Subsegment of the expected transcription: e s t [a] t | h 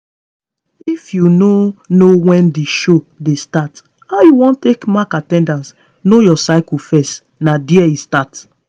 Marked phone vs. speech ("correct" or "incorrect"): correct